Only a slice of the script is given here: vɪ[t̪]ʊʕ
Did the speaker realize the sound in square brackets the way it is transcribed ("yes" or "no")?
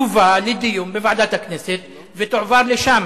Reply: yes